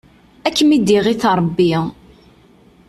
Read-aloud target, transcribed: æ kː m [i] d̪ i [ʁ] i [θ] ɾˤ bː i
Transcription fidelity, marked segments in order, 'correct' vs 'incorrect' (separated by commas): correct, correct, correct